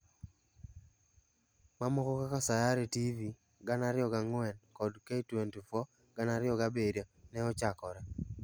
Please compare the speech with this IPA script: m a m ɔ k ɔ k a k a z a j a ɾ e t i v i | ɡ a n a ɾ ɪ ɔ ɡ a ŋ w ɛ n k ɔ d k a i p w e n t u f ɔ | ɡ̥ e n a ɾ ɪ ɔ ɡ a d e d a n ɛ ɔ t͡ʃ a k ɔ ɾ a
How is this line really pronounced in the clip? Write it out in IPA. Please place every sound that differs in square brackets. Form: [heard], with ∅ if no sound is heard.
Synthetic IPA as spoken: m a m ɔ k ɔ k a k a [s] a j a ɾ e t i v i | ɡ a n a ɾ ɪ ɔ ɡ a ŋ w ɛ n k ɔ d k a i [t] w e n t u f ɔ | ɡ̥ [a] n a ɾ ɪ ɔ ɡ a [b] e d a n ɛ ɔ t͡ʃ a k ɔ ɾ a